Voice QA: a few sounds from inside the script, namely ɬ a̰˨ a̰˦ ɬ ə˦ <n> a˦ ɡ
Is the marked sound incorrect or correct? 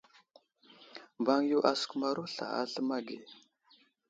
incorrect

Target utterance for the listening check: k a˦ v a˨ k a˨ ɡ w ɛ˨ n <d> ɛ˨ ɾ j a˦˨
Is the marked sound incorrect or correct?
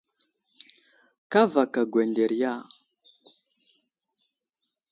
correct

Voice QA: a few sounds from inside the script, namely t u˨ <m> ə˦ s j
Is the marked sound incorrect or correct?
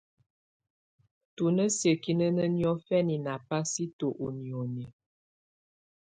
incorrect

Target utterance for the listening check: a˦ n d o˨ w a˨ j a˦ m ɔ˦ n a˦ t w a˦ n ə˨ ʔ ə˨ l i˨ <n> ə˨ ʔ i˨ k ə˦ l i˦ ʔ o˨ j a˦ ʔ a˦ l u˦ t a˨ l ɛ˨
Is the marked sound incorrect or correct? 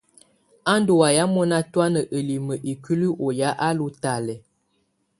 incorrect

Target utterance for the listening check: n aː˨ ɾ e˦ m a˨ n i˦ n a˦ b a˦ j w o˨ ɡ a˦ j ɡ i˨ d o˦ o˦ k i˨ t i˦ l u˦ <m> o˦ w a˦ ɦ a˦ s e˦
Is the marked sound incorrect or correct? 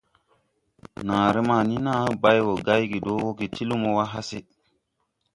correct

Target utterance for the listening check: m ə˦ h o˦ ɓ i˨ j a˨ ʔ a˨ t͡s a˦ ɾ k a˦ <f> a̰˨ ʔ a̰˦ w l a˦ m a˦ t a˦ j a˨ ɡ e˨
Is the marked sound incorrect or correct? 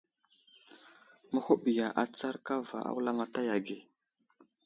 incorrect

